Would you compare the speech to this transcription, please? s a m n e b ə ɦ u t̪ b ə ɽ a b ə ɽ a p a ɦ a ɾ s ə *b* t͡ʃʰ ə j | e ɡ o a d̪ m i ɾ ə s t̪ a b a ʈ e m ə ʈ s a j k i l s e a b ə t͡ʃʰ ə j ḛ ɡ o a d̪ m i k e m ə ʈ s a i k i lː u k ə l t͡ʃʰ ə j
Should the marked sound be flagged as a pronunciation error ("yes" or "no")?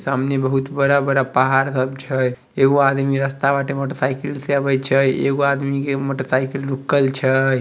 no